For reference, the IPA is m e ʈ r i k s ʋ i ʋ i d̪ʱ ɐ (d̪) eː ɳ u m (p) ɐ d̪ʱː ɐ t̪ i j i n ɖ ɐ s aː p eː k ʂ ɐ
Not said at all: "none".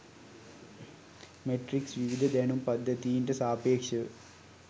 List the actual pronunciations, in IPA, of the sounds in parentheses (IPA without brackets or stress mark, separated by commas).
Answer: d̪, p